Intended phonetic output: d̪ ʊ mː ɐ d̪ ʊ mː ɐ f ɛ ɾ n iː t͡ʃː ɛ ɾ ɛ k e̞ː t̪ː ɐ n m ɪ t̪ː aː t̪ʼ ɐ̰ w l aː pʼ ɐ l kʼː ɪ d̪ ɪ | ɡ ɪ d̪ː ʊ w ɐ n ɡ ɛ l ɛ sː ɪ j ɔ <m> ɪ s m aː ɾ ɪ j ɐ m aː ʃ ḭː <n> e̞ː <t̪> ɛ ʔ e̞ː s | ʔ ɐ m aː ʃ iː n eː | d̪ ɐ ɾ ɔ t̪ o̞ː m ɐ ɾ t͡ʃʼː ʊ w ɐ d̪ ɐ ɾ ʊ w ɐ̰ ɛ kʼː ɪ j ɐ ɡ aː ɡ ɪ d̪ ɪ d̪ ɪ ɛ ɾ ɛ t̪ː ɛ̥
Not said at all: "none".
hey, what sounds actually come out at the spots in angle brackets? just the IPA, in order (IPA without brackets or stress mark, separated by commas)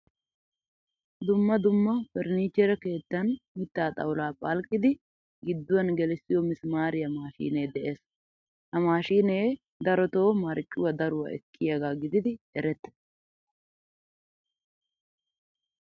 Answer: m, n, d̪